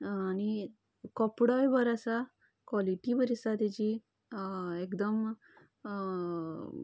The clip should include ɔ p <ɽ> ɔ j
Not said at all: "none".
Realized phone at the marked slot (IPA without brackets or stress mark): ɽ